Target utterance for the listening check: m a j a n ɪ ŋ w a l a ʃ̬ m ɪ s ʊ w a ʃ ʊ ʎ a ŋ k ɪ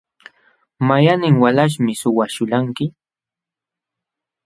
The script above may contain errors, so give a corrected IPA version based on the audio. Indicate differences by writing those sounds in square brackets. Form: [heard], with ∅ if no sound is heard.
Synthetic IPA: m a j a n ɪ ŋ w a l a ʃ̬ m ɪ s ʊ w a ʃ ʊ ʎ a ŋ k ɪ